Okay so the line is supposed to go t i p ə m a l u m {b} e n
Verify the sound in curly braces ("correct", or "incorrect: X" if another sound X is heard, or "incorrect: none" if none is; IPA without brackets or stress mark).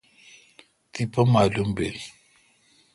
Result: correct